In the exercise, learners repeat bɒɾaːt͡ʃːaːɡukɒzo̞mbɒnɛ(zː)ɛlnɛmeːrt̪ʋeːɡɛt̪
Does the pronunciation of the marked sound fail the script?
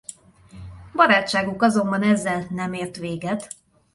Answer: no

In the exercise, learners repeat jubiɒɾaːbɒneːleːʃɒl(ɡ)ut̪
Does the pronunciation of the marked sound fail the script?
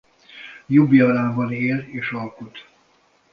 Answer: yes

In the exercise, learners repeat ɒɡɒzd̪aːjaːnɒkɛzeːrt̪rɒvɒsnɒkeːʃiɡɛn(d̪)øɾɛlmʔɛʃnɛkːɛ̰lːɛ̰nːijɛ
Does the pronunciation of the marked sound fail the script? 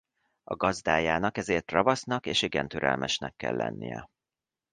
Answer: yes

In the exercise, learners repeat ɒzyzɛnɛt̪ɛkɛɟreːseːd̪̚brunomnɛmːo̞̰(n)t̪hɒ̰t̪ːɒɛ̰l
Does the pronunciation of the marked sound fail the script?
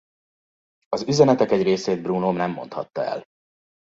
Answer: no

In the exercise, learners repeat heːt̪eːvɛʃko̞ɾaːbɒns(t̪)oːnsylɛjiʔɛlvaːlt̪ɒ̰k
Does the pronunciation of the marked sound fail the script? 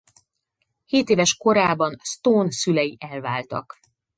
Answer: no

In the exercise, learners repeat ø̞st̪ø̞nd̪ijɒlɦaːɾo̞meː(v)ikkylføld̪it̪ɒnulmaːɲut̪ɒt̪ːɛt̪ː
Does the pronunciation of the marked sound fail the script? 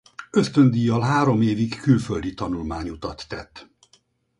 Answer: no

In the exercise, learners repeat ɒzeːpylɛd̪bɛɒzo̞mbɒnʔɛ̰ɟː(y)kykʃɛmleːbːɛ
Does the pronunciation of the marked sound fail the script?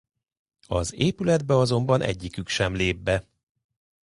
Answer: yes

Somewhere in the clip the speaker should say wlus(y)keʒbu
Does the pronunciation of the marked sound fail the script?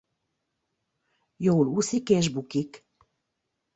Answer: yes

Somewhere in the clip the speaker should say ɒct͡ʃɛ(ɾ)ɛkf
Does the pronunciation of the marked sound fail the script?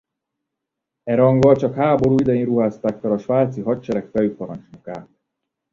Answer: no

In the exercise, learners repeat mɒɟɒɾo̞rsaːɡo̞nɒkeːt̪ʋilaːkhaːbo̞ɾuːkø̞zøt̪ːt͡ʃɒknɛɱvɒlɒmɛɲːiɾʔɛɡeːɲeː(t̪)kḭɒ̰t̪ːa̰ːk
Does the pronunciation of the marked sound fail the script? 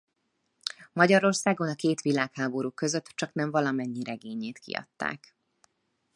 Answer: no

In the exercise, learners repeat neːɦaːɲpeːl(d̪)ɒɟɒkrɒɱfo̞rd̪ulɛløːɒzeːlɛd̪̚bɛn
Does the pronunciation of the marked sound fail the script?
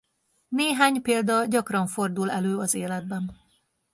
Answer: no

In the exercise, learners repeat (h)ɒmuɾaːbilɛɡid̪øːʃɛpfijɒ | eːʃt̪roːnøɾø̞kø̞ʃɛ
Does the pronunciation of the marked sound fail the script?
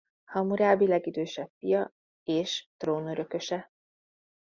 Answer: no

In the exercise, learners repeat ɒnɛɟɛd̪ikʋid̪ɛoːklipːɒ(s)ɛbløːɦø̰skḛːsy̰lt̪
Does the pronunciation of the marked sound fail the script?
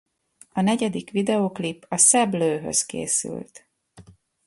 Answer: no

